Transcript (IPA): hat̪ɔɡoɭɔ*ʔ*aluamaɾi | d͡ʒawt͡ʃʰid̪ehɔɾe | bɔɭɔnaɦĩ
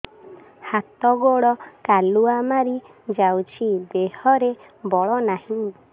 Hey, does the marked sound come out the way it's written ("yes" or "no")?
no